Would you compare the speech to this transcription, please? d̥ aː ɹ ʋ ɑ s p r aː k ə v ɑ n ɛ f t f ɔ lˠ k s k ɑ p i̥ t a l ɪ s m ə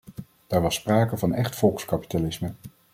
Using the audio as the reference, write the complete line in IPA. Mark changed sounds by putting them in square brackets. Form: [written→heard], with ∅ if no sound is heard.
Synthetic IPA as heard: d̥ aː ɹ ʋ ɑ s p r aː k ə v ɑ n ɛ [f→χ] t f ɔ lˠ k s k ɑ p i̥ t a l ɪ s m ə